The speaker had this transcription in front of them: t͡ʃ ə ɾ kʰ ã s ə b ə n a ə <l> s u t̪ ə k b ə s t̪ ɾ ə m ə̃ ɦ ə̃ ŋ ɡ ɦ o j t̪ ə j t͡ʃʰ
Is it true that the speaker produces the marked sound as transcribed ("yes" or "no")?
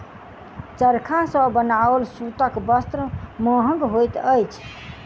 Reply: yes